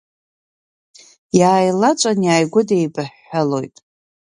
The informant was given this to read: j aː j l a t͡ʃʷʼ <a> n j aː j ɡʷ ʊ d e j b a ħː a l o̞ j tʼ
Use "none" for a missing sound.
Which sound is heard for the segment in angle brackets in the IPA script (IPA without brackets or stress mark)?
a